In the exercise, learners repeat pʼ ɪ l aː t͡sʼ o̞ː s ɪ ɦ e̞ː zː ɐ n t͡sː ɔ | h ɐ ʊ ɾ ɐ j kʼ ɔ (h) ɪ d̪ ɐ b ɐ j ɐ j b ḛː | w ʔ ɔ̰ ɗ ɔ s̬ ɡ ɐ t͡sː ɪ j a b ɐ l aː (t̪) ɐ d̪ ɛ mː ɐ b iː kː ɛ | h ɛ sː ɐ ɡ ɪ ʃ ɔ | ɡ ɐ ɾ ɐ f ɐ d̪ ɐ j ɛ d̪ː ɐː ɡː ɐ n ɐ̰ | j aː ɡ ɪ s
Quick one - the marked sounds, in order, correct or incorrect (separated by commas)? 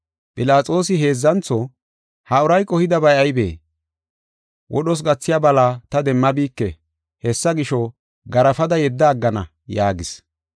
correct, correct